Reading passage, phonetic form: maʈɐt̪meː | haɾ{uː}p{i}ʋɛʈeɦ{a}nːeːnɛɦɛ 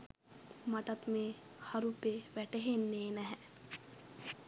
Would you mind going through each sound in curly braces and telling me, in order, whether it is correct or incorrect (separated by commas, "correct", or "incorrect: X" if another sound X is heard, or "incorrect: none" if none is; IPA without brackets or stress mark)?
incorrect: u, incorrect: e, incorrect: e